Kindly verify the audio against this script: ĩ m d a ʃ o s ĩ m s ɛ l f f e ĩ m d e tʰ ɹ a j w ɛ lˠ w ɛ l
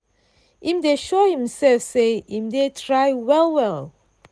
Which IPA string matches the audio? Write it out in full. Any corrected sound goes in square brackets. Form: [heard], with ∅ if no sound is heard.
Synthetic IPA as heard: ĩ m d [e] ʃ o [h] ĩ m s ɛ l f [s] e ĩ m d e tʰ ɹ a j w ɛ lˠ w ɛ l